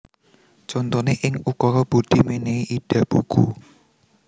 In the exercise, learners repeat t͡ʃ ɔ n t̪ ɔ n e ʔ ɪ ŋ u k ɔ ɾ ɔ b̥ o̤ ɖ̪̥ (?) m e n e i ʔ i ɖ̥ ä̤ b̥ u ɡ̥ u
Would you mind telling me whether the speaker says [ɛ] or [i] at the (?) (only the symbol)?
i